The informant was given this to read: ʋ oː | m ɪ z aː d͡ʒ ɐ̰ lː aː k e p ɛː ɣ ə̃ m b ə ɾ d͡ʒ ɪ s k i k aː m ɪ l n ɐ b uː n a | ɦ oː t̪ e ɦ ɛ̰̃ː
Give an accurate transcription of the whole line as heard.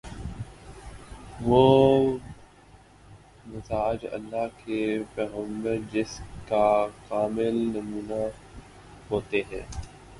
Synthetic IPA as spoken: ʋ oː | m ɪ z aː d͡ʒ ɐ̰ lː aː k e p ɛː ɣ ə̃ m b ə ɾ d͡ʒ ɪ s k a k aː m ɪ l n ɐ m uː n a | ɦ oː t̪ e ɦ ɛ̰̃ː